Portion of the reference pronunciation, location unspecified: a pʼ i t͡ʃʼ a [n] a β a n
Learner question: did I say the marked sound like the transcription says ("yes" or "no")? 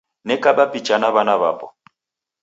yes